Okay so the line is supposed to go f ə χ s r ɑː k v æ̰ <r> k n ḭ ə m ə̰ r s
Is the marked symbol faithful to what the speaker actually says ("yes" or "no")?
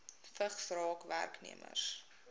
yes